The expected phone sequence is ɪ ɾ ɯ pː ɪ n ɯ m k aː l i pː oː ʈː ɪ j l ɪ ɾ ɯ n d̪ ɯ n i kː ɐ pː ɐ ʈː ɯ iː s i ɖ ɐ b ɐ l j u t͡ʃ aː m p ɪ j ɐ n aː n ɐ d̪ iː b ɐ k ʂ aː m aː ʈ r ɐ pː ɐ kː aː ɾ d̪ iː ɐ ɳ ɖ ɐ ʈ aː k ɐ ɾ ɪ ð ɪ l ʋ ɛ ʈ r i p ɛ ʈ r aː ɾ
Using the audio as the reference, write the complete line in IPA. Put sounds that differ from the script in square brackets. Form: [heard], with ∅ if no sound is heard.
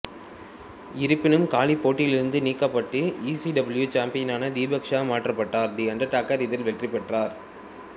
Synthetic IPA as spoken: ɪ ɾ ɯ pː ɪ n ɯ m k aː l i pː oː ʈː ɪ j l ɪ ɾ ɯ n d̪ ɯ n [iː] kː ɐ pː ɐ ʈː ɯ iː s i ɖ ɐ b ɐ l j u t͡ʃ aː m p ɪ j ɐ n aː n ɐ d̪ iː b ɐ k ʂ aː m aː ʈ r ɐ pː ɐ [ʈː] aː ɾ d̪ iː ɐ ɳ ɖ ɐ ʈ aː k ɐ ɾ ɪ ð ɪ l ʋ ɛ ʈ r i p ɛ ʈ r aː ɾ